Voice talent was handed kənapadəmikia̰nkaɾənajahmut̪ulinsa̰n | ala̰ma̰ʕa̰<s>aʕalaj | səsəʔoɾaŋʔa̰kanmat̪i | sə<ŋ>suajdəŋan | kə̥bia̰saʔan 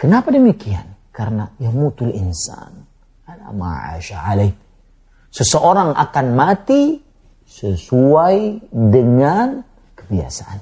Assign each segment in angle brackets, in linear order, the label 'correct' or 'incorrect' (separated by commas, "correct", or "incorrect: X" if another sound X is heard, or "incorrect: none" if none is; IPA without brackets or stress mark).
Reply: incorrect: ʃ, incorrect: none